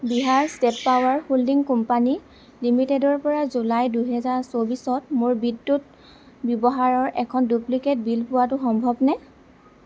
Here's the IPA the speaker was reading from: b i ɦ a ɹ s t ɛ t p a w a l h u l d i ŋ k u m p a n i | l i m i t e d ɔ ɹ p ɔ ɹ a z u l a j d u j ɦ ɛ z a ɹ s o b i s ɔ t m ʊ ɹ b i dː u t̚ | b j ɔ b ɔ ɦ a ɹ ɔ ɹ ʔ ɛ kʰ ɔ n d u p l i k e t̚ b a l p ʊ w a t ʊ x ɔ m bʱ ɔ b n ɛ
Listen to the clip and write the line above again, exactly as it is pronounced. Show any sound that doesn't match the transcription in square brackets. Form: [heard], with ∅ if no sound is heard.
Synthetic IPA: b i ɦ a ɹ s t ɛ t p a w a [ɹ] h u l d i ŋ k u m p a n i | l i m i t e d ɔ ɹ p ɔ ɹ a z u l a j d u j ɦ ɛ z a ɹ s o b i s ɔ t m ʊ ɹ b i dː u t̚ | b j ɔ b ɔ ɦ a ɹ ɔ ɹ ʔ ɛ kʰ ɔ n d u p l i k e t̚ b [i] l p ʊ w a t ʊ x ɔ m bʱ ɔ b n ɛ